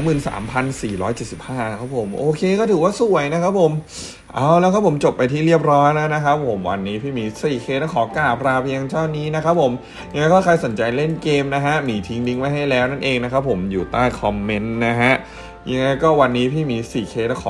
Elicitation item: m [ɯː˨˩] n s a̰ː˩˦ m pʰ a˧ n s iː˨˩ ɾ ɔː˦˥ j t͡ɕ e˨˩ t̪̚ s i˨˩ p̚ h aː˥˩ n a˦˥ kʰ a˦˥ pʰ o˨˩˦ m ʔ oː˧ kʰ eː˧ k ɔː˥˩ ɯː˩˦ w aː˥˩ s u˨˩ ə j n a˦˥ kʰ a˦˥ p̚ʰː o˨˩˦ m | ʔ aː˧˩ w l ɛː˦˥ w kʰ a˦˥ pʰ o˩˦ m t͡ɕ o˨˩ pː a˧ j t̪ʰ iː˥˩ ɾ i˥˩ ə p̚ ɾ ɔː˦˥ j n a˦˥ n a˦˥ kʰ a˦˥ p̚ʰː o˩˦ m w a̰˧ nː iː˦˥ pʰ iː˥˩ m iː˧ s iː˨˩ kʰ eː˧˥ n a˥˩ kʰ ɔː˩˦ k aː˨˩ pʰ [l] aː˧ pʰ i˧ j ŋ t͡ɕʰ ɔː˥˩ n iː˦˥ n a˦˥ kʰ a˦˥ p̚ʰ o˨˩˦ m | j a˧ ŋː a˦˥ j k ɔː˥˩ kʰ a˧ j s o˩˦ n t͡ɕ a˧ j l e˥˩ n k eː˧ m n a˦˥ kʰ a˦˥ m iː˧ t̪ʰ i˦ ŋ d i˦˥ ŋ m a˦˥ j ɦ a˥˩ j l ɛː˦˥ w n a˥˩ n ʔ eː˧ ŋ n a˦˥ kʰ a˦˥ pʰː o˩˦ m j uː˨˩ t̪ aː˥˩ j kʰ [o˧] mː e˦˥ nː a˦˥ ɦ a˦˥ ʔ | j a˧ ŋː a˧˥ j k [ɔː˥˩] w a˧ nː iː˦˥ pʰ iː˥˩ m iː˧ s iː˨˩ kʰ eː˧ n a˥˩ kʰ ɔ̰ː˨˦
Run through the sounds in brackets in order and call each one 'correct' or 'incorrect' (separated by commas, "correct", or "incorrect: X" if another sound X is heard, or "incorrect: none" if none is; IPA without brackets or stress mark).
correct, incorrect: ɾ, incorrect: ɔ˧, correct